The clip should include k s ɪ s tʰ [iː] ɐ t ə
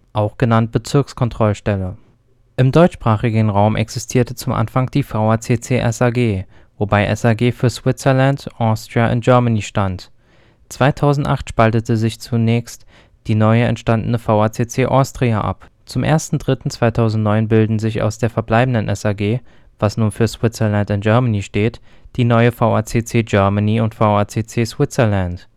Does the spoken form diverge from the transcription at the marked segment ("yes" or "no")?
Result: no